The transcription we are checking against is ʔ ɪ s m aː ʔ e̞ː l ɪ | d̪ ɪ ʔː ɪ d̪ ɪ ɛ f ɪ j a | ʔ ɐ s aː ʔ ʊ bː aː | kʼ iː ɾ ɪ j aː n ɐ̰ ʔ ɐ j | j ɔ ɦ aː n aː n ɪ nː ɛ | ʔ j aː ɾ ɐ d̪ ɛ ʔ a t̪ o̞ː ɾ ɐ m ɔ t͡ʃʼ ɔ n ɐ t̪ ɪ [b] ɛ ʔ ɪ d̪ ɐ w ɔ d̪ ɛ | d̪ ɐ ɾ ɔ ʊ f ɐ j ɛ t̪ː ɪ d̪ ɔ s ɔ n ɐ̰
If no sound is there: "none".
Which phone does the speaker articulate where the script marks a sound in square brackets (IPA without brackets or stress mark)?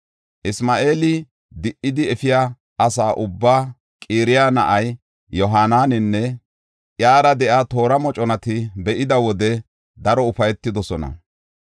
b